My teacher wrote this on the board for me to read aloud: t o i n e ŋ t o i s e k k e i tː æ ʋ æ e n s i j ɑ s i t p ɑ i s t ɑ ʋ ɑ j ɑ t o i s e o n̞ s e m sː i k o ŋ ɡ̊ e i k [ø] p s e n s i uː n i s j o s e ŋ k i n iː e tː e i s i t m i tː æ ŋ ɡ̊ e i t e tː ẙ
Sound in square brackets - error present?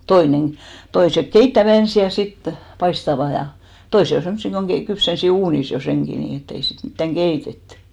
yes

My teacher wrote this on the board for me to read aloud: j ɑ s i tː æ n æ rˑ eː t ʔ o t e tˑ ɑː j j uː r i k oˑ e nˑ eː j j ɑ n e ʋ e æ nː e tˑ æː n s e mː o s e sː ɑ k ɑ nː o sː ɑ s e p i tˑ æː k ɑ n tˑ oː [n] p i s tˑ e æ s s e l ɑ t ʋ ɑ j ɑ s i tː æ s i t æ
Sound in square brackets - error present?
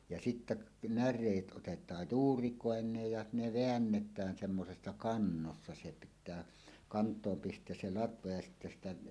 yes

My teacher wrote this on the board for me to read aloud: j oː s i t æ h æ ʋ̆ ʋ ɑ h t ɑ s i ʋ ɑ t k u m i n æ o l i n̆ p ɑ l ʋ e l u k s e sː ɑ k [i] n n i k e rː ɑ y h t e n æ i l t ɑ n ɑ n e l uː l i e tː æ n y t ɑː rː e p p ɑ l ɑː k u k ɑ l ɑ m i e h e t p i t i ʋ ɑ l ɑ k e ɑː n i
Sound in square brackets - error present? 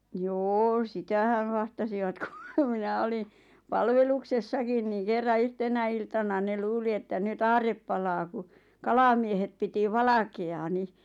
no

